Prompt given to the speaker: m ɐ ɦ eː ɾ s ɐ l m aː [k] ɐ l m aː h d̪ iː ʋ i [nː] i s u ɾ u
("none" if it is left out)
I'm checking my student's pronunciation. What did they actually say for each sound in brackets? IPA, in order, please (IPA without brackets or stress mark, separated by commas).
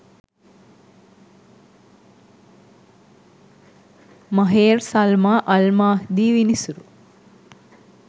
ʔ, n